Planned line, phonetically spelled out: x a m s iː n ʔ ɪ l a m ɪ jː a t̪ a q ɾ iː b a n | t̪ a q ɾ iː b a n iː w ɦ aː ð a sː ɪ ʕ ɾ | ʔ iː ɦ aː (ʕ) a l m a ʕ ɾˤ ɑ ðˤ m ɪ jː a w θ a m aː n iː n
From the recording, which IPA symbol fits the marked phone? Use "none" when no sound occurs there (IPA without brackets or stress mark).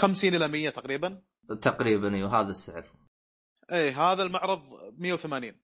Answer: ð